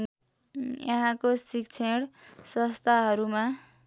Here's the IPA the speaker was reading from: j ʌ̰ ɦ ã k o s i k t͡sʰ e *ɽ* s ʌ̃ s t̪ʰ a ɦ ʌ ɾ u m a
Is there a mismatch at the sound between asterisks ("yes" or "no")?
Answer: no